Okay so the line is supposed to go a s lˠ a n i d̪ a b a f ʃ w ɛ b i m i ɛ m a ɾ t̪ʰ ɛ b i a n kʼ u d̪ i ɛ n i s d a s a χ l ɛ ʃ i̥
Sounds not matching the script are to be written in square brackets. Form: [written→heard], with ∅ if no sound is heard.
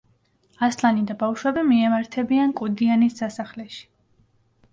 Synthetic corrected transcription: a s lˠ a n i d̪ a b a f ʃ w ɛ b i m i ɛ m a ɾ t̪ʰ ɛ b i a n kʼ u d̪ i [ɛ→a] n i s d a s a χ l ɛ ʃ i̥